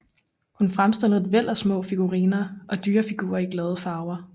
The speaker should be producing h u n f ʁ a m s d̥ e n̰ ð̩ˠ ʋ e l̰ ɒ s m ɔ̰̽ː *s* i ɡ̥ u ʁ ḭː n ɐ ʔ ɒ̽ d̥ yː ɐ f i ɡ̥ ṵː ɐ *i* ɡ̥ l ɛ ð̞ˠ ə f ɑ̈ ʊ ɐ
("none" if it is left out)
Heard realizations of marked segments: f, i

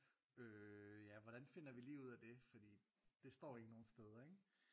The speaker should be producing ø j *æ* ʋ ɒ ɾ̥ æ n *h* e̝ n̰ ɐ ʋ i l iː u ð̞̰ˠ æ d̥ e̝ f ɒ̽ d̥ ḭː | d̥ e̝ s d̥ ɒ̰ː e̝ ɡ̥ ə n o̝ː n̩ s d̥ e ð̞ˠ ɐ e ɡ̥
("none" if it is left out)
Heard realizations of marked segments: æ, f

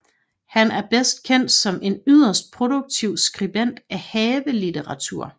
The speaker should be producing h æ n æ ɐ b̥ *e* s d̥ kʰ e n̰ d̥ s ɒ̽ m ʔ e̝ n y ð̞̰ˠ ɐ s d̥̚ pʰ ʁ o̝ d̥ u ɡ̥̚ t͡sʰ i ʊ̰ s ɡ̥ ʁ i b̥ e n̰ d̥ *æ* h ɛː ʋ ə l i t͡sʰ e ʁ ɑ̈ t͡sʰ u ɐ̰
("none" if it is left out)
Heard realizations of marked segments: e, æ

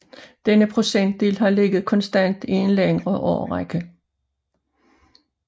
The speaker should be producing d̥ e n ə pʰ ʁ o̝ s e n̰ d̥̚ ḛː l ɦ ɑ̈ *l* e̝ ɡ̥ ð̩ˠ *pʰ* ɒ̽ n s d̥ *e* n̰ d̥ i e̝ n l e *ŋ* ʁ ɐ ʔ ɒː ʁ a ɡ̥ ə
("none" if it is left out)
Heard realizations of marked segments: l, kʰ, æ, ŋ

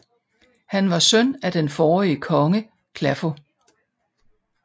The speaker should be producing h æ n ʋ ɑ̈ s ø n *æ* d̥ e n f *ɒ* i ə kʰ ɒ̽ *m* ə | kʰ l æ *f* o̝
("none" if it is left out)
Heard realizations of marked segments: æ, ɒː, ŋ, f

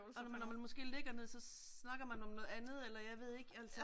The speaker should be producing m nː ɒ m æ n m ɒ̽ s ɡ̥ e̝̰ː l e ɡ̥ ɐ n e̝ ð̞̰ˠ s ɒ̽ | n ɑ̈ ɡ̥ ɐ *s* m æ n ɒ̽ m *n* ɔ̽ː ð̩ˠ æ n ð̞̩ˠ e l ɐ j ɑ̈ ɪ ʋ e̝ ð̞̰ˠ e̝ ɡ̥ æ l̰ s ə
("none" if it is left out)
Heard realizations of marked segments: none, n

